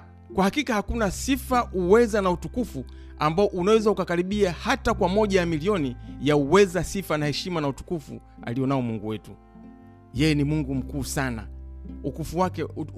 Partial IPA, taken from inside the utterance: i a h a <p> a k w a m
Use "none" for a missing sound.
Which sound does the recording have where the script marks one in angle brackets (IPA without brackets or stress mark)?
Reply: t